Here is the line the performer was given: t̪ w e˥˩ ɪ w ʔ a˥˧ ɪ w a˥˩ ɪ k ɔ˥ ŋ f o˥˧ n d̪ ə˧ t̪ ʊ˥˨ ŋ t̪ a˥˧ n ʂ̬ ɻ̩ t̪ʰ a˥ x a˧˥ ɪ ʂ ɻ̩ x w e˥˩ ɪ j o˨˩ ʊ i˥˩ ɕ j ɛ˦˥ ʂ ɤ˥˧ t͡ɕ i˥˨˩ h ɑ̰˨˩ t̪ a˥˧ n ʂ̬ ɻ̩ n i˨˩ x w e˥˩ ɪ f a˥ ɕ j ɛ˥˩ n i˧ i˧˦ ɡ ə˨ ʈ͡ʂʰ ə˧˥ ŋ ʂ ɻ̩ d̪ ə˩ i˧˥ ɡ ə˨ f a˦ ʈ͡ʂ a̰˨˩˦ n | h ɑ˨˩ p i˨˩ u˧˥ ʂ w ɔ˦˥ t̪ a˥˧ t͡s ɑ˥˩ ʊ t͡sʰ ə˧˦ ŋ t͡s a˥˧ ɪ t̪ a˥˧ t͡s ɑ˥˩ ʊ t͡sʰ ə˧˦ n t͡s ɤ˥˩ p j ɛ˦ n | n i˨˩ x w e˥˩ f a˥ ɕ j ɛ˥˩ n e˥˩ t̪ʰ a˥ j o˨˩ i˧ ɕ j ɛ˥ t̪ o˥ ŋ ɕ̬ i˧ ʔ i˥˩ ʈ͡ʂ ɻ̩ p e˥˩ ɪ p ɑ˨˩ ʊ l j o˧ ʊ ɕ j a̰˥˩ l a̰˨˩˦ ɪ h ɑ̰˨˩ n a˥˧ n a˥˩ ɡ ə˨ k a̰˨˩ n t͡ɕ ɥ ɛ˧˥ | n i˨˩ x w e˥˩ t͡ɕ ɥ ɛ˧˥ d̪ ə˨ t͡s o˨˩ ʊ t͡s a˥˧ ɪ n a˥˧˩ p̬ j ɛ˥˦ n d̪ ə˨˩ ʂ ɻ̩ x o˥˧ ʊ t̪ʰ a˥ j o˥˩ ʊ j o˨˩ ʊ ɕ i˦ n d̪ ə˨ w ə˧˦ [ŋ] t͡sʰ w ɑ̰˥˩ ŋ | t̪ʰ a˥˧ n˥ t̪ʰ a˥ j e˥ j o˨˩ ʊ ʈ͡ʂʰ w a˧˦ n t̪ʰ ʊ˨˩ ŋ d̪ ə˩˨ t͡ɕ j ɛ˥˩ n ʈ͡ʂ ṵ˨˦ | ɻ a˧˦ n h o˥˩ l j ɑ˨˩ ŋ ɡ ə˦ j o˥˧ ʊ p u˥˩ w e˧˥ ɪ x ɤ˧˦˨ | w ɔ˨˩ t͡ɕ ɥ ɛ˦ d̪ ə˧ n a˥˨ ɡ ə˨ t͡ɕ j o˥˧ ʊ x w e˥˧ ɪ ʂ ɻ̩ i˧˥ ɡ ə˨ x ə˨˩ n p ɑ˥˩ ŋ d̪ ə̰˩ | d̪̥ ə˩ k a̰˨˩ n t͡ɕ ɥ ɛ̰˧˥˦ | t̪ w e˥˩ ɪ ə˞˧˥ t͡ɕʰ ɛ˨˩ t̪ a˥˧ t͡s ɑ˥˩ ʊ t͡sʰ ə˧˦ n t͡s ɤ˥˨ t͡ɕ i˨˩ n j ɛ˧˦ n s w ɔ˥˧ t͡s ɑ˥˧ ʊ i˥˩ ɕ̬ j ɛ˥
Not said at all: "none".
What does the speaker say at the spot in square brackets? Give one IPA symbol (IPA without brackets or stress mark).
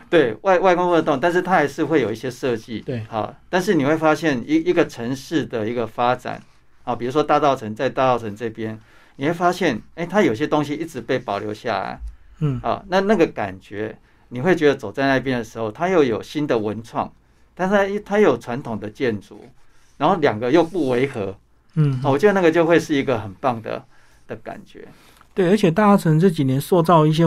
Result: n